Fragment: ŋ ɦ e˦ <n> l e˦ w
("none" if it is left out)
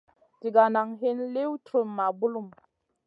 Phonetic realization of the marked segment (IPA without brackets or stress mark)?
n